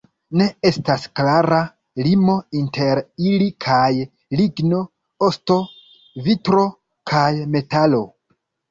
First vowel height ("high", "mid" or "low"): mid